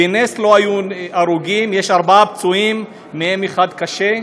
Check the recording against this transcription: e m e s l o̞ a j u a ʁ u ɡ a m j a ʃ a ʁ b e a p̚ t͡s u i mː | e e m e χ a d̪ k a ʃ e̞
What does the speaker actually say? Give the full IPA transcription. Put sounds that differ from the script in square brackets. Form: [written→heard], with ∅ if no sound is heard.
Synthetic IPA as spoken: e [m→n] e s l o̞ a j u a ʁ u ɡ [a→i] m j [a→e] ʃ a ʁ b [e→a] a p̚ t͡s u i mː | e e m e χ a d̪ k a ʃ e̞